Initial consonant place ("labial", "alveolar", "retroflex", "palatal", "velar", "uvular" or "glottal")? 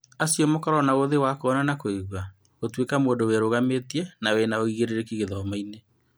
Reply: alveolar